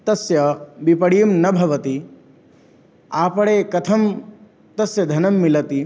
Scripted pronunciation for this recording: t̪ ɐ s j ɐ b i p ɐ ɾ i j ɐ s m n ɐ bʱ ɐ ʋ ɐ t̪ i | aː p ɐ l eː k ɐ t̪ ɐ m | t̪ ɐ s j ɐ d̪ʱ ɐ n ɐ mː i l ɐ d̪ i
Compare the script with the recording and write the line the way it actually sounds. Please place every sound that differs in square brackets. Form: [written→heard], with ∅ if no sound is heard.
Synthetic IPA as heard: t̪ ɐ s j ɐ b i p ɐ [ɾ→ɽ] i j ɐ [s→∅] m n ɐ bʱ ɐ ʋ ɐ t̪ i | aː p ɐ [l→ɽ] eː k ɐ [t̪→t̪ʰ] ɐ m | t̪ ɐ s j ɐ d̪ʱ ɐ n ɐ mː i l ɐ [d̪→t̪] i